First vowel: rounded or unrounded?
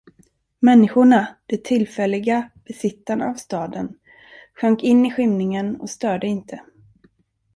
unrounded